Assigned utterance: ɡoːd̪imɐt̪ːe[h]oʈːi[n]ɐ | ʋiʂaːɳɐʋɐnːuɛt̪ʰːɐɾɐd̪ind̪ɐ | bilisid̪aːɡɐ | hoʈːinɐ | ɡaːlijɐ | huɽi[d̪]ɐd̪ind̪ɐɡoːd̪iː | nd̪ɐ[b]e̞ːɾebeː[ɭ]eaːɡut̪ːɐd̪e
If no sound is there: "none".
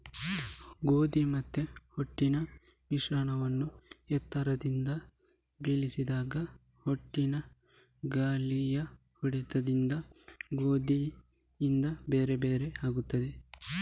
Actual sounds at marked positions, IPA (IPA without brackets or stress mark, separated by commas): h, n, t̪, b, ɾ